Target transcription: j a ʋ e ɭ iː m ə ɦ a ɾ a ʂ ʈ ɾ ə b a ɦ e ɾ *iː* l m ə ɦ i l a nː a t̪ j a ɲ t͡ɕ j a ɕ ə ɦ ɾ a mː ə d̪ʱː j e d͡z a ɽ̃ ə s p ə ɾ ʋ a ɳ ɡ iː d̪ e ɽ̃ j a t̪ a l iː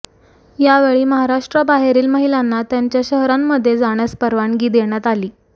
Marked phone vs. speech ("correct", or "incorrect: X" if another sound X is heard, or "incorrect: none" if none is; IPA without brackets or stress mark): correct